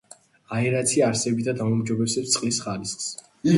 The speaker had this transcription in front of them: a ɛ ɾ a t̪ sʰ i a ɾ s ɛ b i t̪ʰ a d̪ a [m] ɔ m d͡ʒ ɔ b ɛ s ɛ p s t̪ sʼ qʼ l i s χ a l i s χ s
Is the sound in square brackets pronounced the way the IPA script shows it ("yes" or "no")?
yes